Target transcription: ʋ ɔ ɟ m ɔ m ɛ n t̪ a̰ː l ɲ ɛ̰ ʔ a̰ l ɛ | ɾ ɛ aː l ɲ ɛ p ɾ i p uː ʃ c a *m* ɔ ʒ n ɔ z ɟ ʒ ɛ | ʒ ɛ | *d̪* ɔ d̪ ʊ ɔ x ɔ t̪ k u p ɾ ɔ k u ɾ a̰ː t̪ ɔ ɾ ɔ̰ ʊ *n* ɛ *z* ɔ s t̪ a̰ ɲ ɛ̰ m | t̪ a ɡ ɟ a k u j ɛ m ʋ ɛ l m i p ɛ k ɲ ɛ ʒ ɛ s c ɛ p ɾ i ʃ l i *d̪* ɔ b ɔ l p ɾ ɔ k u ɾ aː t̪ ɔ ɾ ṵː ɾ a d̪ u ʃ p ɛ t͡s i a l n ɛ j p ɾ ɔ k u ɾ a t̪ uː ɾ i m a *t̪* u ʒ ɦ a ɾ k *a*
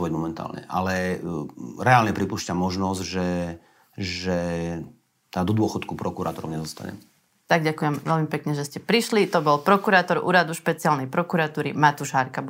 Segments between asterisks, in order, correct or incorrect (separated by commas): correct, correct, incorrect, correct, incorrect, correct, correct